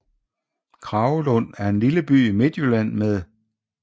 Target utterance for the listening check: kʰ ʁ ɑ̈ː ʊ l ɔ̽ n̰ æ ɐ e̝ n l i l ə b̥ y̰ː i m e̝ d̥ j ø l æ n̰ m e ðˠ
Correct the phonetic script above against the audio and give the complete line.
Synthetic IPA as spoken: kʰ ʁ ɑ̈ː ʊ l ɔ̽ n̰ æ ɐ e̝ n l i l ə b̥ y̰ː i m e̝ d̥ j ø l æ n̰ m e ðˠ